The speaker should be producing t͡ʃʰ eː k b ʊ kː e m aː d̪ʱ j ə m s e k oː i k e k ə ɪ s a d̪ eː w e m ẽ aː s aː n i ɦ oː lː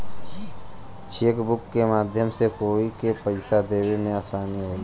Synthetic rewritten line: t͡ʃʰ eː k b ʊ kː e m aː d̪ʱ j ə m s e k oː i k e p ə ɪ s a d̪ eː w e m ẽ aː s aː n i ɦ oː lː